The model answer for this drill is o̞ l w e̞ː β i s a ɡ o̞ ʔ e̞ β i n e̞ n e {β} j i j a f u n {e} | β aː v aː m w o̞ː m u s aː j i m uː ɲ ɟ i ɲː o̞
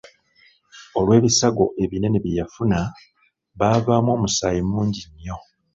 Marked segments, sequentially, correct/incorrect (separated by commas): correct, incorrect